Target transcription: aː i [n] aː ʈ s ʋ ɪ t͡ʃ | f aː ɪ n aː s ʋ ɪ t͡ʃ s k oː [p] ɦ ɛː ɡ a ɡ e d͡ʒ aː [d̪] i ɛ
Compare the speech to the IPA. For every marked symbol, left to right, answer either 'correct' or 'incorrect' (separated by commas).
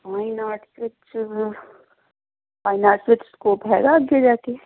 correct, correct, incorrect